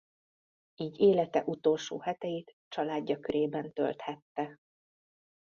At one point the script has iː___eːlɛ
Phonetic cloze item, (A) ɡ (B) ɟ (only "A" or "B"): B